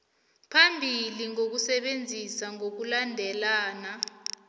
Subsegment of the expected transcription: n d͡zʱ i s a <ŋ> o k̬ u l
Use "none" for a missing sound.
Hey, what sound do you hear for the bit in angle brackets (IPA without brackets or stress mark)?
ŋ